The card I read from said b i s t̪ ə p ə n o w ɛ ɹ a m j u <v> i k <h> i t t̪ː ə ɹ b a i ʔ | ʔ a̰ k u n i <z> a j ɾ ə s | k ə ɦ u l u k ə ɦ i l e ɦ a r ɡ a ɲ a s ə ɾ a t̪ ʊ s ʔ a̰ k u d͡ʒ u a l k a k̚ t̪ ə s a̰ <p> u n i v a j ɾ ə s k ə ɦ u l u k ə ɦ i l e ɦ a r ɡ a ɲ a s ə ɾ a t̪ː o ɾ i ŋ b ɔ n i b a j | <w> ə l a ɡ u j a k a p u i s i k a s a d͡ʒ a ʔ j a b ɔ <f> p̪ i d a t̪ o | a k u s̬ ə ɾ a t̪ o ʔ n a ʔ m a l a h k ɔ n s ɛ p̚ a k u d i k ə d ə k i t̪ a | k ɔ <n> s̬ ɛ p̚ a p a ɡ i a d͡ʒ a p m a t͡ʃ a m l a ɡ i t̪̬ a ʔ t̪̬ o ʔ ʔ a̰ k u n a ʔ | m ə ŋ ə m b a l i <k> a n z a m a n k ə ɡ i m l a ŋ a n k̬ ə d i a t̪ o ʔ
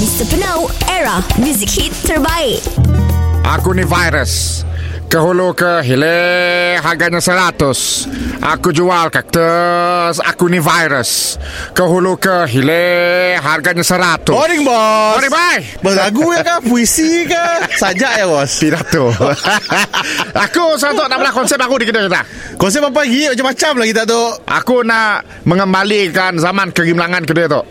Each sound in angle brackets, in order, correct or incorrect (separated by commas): incorrect, correct, incorrect, incorrect, incorrect, incorrect, correct, correct